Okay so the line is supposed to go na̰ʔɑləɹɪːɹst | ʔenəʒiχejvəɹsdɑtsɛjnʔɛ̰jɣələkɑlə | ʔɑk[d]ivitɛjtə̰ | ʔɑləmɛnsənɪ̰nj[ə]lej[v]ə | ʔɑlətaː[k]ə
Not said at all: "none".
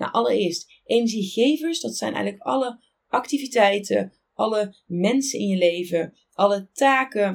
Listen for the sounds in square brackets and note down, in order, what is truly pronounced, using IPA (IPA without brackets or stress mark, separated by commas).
t, ə, v, k